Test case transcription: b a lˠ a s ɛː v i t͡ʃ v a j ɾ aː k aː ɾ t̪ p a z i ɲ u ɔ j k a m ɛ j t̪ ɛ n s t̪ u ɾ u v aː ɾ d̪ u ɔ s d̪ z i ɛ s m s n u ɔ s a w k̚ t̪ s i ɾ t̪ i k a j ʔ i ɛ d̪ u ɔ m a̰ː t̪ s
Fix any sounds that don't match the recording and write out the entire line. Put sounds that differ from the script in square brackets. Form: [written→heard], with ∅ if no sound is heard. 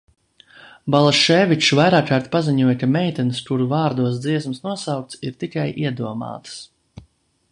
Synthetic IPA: b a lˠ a [s→ʃ] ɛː v i t͡ʃ v a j ɾ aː k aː ɾ t̪ p a z i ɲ u ɔ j k a m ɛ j t̪ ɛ n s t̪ u ɾ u v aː ɾ d̪ u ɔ s d̪ z i ɛ s m s n u ɔ s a w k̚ t̪ s i ɾ t̪ i k a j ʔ i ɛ d̪ u ɔ m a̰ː t̪ s

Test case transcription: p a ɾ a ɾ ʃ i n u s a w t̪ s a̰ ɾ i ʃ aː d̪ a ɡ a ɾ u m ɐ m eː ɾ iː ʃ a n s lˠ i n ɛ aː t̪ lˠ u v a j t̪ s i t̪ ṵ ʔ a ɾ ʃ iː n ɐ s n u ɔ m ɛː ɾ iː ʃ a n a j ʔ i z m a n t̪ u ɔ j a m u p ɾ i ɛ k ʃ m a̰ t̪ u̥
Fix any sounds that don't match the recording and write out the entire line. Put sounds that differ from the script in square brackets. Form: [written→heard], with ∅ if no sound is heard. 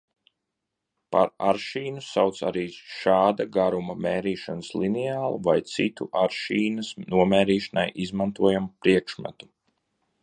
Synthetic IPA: p a ɾ a ɾ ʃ [i→iː] n u s a w t̪ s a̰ ɾ [i→iː] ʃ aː d̪ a ɡ a ɾ u m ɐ m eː ɾ iː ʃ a n s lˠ i n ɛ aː [t̪→∅] lˠ u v a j t̪ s i t̪ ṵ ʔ a ɾ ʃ iː n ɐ s n u ɔ m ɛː ɾ iː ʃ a n a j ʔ i z m a n t̪ u ɔ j a m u p ɾ i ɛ k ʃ m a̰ t̪ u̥

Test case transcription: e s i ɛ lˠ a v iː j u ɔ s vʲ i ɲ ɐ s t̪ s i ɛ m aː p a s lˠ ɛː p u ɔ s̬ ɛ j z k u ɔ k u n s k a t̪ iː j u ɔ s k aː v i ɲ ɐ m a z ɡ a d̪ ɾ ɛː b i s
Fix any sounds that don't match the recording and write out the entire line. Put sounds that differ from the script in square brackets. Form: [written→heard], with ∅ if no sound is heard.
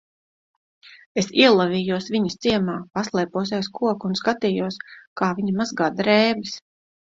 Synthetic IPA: e s i ɛ lˠ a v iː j u ɔ s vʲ i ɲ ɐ s t̪ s i ɛ m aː p a s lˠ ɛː p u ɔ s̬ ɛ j [z→s] k u ɔ k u n s k a t̪ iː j u ɔ s k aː v i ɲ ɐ m a z ɡ a d̪ ɾ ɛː b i s

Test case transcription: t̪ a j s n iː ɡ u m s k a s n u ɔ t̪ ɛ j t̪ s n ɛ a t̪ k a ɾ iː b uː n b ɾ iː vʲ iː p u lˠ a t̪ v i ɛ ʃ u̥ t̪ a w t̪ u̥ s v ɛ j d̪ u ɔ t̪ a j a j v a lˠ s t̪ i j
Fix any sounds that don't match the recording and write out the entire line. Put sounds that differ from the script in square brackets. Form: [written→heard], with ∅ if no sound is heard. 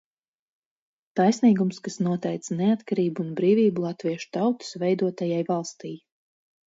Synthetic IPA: t̪ a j s n iː ɡ u m s k a s n u ɔ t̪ ɛ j t̪ s n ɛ a t̪ k a ɾ iː b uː n b ɾ iː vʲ iː [p→b] u lˠ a t̪ v i ɛ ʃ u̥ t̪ a w t̪ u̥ s v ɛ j d̪ u ɔ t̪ a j a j v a lˠ s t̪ i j

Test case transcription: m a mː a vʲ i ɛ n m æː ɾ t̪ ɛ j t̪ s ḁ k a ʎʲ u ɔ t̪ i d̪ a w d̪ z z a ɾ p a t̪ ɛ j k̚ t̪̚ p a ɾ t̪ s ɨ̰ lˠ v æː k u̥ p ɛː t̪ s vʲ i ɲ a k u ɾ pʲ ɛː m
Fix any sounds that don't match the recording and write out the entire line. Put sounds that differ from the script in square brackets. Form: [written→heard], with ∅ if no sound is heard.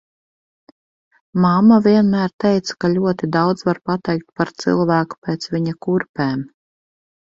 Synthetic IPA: m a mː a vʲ i ɛ n m æː ɾ t̪ ɛ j t̪ s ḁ k a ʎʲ u ɔ t̪ i d̪ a w d̪ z [z→v] a ɾ p a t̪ ɛ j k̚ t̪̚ p a ɾ t̪ s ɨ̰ lˠ v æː k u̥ p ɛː t̪ s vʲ i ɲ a k u ɾ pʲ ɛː m

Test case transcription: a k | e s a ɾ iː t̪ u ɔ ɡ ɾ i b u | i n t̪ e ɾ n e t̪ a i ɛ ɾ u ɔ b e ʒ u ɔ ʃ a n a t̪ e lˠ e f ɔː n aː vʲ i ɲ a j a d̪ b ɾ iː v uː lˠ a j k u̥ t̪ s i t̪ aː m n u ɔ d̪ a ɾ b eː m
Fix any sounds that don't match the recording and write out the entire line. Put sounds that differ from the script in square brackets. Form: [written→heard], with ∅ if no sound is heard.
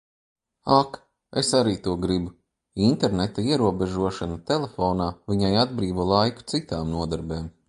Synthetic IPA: a k | e s a ɾ iː t̪ u ɔ ɡ ɾ i b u | i n t̪ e ɾ n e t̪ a i ɛ ɾ u ɔ b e ʒ u ɔ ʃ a n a t̪ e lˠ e f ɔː n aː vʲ i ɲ a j a d̪ b ɾ iː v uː lˠ a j k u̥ t̪ s i t̪ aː m n u ɔ d̪ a ɾ b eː m

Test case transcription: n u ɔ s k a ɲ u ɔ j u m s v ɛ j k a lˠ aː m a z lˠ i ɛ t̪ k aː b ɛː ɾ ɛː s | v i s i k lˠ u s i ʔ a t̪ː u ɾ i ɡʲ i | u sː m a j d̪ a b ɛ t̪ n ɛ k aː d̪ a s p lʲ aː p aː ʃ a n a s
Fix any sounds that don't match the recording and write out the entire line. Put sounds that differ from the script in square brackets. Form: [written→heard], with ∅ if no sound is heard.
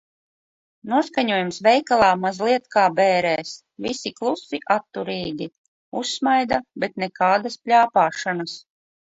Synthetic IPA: n u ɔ s k a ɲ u ɔ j u m s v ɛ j k a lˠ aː m a z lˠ i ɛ t̪ k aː b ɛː ɾ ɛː s | v i s i k lˠ u s i ʔ a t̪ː u ɾ [i→iː] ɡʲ i | u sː m a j d̪ a b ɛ t̪ n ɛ k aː d̪ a s p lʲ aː p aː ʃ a n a s

